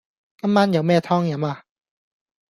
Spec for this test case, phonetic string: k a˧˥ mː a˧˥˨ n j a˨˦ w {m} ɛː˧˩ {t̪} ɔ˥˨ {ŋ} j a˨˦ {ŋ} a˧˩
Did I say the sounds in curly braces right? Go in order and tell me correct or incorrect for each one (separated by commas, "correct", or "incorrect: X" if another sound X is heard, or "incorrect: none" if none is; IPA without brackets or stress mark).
correct, incorrect: t̪ʰ, correct, incorrect: m